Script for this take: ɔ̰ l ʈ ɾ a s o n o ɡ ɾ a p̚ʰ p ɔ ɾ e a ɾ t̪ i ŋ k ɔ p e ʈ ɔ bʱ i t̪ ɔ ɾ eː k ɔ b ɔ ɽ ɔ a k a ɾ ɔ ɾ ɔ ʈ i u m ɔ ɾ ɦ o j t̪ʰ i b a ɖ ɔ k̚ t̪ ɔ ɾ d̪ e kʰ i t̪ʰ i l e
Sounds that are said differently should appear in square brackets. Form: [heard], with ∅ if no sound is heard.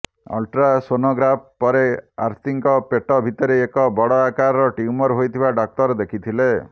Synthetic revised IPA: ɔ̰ l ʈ ɾ a s o n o ɡ ɾ a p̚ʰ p ɔ ɾ e a ɾ t̪ i ŋ k ɔ p e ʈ ɔ bʱ i t̪ ɔ ɾ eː k ɔ b ɔ ɽ ɔ a k a ɾ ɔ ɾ ɔ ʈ i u m ɔ ɾ ɦ o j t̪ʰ i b a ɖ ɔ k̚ t̪ ɔ ɾ d̪ e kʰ i t̪ʰ i l e